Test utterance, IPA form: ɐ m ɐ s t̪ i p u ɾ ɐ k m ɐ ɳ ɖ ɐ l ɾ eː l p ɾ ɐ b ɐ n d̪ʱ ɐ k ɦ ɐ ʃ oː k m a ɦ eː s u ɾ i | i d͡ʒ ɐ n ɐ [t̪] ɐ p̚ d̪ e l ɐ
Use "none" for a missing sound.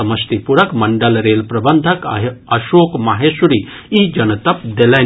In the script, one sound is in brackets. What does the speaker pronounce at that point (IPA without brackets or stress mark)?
t̪